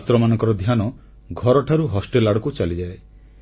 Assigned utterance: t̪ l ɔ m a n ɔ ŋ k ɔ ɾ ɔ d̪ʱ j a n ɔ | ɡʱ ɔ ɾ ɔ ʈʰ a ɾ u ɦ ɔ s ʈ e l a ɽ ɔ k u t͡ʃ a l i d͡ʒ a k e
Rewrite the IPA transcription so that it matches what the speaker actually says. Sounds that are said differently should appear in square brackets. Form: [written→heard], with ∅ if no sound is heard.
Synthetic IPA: t̪ [l→ɾ] ɔ m a n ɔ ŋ k ɔ ɾ ɔ d̪ʱ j a n ɔ | ɡʱ ɔ ɾ ɔ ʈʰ a ɾ u ɦ ɔ s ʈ e l a ɽ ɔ k u t͡ʃ a l i d͡ʒ a [k→∅] e